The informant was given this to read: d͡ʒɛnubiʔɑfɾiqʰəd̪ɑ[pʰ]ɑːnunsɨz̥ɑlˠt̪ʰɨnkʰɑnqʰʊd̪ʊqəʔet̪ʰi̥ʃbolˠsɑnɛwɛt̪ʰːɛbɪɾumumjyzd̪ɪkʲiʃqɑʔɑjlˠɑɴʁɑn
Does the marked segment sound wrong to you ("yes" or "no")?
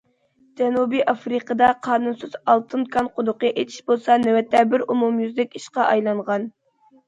yes